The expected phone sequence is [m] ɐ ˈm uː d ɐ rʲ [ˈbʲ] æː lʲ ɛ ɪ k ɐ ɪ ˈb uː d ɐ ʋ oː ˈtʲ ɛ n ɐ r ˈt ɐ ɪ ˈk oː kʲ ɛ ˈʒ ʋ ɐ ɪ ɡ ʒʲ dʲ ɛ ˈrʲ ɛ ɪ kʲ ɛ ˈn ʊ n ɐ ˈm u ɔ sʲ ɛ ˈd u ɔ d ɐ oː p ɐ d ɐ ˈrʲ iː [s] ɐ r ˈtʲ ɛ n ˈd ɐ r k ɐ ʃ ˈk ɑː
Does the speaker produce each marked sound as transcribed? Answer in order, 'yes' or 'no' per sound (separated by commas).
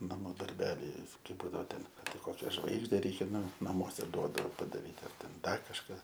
no, yes, no